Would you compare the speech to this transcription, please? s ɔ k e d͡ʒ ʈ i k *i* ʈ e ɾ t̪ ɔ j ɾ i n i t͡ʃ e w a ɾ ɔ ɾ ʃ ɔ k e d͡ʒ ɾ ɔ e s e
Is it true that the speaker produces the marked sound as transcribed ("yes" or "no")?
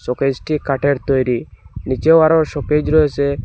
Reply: no